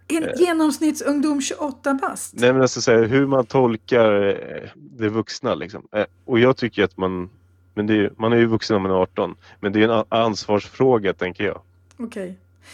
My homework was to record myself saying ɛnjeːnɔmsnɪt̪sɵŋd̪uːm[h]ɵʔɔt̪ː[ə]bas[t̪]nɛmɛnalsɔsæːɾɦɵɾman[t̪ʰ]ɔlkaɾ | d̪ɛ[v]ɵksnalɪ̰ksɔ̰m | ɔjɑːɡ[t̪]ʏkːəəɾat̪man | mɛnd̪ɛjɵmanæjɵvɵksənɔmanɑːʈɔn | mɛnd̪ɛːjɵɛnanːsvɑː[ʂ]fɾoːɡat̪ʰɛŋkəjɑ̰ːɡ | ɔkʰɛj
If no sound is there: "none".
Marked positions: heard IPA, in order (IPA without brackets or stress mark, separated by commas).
ɕ, a, t̪, t̪ʰ, v, t̪ʰ, ʂ